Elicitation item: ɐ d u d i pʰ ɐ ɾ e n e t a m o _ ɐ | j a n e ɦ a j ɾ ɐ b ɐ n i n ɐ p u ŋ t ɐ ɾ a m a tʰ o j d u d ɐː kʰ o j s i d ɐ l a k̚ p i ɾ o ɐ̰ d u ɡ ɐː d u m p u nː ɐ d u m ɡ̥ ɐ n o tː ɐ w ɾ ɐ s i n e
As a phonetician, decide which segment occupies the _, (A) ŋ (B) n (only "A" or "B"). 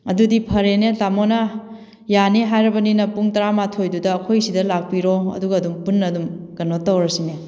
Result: B